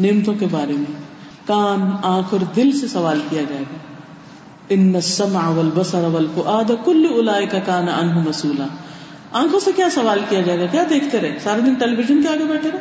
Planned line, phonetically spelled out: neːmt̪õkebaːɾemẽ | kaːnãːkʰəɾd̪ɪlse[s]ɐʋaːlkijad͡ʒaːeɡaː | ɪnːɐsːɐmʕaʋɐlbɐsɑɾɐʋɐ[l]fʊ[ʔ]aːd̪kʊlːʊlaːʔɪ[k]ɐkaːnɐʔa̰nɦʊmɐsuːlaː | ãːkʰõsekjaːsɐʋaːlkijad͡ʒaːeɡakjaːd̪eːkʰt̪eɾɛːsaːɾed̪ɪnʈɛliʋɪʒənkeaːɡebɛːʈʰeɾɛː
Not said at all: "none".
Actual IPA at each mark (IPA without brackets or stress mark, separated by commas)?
s, l, ʔ, k